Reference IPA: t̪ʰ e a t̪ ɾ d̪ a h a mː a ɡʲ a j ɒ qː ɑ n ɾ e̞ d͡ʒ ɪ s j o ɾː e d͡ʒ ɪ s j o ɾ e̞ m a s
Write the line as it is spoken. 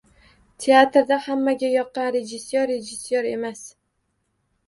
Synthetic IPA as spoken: t̪ʰ e a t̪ ɾ d̪ a h a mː a ɡʲ a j ɒ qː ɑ n ɾ e̞ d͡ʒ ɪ s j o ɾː e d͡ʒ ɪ s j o ɾ e̞ m a s

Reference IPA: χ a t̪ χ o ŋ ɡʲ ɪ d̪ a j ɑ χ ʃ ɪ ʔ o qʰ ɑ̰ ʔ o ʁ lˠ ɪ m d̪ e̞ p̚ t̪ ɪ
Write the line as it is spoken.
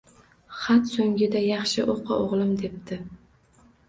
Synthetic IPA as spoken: χ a t̪ s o ŋ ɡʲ ɪ d̪ a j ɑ χ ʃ ɪ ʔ o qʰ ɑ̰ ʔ o ʁ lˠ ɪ m d̪ e̞ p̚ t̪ ɪ

